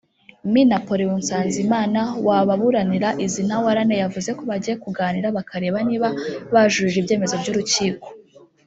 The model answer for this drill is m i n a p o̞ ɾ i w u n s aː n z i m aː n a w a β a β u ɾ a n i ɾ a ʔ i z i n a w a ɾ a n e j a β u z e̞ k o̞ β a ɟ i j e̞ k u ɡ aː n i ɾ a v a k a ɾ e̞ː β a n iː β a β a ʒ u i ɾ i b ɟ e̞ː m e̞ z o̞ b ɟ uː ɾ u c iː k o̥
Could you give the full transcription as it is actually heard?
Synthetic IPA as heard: m i n a p o̞ ɾ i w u n s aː n z i m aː n a w a β a β u ɾ a n i ɾ a ʔ i z i n a w a ɾ a n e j a v u z e̞ k o̞ β a ɟ i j e̞ k u ɡ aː n i ɾ a β a k a ɾ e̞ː β a n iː β a β a ʒ u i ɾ i b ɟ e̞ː m e̞ z o̞ b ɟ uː ɾ u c iː k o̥